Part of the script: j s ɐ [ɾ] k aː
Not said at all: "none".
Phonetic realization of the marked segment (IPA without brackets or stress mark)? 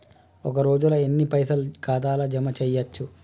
l